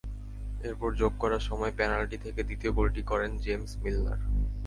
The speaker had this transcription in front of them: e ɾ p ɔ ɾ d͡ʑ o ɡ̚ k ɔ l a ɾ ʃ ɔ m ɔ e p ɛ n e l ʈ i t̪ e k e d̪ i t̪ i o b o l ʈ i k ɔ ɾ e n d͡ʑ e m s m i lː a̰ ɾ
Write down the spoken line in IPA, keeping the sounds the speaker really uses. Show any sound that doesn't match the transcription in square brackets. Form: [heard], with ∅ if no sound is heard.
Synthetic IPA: e ɾ p ɔ ɾ d͡ʑ o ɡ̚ k ɔ [ɾ] a ɾ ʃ ɔ m ɔ e p ɛ n [a] l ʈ i [t̪ʰ] e k e d̪ i t̪ i o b o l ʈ i k ɔ ɾ e n d͡ʑ e m s m i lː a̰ ɾ